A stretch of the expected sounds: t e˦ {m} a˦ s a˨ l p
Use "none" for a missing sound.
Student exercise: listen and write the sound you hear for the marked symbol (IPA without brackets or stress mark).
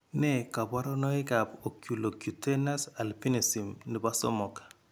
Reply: n